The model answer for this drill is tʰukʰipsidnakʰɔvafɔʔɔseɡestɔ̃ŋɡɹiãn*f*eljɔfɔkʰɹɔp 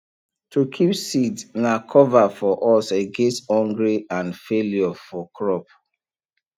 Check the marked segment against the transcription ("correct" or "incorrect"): correct